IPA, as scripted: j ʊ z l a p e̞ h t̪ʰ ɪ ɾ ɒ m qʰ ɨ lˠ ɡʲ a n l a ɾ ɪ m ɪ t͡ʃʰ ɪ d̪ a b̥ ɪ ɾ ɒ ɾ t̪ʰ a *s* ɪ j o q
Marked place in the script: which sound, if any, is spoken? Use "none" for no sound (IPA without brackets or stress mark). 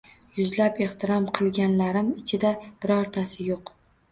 s